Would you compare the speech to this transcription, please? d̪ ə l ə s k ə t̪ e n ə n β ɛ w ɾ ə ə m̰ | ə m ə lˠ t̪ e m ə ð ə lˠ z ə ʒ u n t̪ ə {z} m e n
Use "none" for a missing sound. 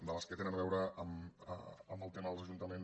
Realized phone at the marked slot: none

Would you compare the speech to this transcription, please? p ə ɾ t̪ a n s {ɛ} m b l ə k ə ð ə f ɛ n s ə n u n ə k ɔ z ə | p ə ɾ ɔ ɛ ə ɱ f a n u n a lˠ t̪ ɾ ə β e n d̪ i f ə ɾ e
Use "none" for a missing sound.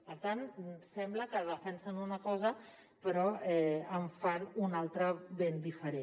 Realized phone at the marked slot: ɛ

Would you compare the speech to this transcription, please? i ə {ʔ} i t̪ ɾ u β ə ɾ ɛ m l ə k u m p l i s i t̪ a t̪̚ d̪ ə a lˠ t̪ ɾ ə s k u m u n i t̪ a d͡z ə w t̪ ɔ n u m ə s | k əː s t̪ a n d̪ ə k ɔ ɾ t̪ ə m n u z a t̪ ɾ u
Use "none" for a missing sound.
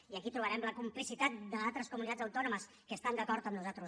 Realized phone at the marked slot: k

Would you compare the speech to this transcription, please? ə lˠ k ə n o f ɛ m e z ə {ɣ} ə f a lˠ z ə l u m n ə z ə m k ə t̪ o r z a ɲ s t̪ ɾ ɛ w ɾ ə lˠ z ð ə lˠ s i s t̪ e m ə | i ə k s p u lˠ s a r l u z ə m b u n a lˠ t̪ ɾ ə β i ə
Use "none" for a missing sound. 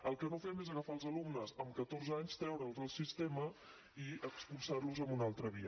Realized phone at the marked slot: ɣ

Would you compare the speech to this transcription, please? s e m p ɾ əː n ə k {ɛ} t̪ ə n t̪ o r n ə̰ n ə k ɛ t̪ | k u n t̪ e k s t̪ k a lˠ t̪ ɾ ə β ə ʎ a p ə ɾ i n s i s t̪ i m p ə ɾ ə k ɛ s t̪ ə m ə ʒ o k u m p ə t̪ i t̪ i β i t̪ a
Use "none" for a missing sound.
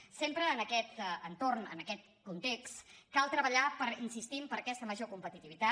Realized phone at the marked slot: ɛ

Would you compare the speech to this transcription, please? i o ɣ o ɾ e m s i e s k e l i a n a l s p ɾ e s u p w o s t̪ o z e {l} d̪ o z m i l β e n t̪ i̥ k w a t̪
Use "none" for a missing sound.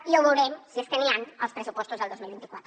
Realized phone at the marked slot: l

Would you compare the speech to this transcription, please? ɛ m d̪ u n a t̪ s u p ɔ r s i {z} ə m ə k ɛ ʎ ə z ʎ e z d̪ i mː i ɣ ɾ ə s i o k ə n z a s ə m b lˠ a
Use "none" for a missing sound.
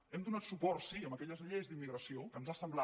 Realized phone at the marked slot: none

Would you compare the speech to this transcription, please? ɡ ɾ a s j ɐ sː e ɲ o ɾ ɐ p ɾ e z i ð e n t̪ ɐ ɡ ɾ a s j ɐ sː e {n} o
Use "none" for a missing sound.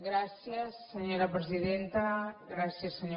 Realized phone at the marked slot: ɲ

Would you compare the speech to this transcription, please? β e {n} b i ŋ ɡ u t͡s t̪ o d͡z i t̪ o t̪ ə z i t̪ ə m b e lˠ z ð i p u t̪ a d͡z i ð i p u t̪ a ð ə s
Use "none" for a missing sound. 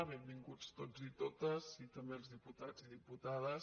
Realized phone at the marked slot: m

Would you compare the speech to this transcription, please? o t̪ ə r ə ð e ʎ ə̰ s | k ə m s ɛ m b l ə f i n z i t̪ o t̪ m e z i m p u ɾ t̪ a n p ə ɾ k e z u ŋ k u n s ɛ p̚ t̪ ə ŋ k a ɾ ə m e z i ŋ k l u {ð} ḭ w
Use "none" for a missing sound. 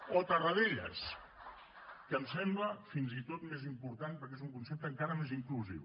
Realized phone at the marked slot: z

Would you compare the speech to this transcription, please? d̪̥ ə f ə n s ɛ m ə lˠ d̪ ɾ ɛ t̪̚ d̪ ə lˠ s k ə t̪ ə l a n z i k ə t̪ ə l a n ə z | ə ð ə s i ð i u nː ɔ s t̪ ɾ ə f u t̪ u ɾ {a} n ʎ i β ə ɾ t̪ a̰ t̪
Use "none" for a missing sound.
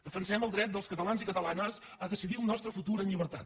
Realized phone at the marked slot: ə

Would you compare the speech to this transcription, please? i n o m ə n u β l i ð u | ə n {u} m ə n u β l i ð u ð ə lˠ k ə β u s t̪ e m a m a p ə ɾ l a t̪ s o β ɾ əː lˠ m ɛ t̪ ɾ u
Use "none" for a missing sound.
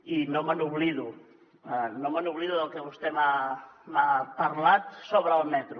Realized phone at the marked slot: o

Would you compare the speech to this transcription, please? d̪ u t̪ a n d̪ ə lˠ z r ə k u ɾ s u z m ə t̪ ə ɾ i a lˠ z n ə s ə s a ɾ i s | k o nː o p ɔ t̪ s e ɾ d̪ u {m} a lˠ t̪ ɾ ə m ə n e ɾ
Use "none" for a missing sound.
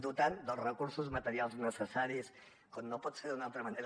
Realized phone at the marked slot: n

